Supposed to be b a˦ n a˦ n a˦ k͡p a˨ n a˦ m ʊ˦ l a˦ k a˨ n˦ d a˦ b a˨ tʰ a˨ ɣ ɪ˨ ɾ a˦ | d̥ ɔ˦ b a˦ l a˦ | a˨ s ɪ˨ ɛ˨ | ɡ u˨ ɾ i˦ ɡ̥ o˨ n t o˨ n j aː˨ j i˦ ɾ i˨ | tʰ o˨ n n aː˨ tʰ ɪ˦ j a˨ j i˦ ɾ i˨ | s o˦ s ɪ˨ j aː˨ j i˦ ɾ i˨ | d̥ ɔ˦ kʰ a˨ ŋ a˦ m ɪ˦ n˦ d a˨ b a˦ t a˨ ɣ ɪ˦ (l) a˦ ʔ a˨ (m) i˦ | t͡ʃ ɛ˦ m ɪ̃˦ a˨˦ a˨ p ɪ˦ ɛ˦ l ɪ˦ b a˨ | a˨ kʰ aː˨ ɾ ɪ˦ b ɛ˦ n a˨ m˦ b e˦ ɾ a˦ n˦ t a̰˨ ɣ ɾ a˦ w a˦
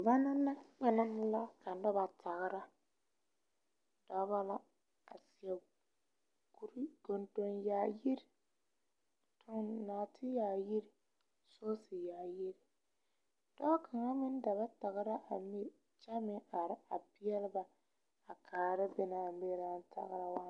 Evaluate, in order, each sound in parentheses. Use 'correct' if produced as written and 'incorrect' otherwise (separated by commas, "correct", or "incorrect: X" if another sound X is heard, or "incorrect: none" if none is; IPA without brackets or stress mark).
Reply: incorrect: ɾ, correct